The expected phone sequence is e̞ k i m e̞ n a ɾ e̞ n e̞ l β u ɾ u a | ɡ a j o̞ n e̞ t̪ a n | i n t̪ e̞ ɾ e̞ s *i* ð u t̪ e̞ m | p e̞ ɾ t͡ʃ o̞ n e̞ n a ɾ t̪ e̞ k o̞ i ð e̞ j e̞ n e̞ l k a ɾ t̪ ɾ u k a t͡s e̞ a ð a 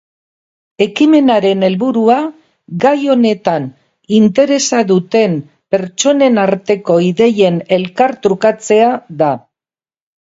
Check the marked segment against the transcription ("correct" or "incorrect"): incorrect